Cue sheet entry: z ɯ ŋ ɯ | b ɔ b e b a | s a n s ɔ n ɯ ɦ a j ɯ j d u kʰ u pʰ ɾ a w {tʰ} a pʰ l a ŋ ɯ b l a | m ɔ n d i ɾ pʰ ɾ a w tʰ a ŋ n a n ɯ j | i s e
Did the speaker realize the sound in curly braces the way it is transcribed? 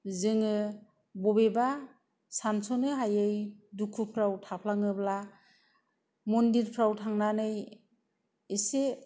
yes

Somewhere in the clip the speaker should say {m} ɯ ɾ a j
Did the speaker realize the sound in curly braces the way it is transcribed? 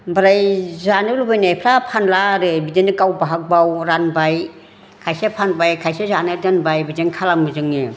no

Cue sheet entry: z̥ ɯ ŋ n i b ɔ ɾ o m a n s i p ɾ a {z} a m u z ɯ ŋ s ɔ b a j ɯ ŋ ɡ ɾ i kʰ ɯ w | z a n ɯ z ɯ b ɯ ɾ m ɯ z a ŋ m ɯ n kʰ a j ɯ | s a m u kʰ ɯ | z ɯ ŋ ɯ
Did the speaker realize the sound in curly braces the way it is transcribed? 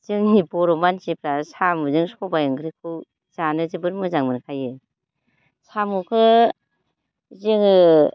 no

